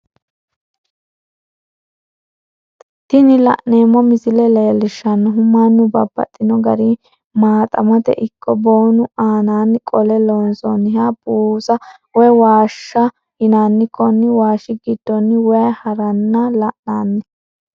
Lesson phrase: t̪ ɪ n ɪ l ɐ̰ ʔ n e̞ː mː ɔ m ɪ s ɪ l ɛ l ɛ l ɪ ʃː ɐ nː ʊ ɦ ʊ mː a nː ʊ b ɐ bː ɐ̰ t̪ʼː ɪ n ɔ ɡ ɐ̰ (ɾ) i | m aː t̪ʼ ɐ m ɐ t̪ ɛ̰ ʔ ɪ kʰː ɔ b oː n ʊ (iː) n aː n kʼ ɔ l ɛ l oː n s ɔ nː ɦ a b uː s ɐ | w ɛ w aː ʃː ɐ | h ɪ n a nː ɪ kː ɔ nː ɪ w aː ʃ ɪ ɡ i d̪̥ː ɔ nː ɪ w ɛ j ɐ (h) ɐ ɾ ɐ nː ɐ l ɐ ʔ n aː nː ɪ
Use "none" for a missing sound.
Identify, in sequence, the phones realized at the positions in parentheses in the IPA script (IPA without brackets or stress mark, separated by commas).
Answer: ɾ, aː, h